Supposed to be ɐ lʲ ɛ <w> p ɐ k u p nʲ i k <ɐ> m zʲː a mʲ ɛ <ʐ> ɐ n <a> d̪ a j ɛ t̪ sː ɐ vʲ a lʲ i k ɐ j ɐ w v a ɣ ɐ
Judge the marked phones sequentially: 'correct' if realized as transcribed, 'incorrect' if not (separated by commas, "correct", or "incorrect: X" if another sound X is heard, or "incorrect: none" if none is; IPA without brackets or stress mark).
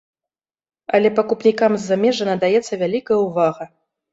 incorrect: none, incorrect: a, correct, incorrect: ɐ